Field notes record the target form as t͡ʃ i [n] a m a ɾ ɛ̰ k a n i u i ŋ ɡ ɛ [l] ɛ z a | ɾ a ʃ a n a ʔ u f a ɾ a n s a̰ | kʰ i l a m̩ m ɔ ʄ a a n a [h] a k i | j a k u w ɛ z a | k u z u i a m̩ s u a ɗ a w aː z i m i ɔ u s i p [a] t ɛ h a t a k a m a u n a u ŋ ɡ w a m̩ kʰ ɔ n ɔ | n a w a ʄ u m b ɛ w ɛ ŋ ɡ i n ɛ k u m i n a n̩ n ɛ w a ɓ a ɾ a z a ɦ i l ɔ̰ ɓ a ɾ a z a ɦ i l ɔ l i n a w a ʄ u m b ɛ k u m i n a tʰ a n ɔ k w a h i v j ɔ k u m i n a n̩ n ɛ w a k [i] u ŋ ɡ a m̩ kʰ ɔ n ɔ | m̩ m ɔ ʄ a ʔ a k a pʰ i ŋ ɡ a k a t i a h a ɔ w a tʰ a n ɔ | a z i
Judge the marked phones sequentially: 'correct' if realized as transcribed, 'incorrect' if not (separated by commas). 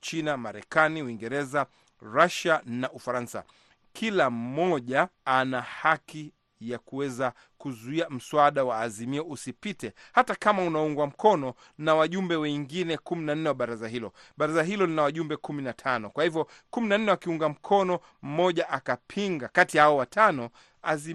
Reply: correct, incorrect, correct, incorrect, correct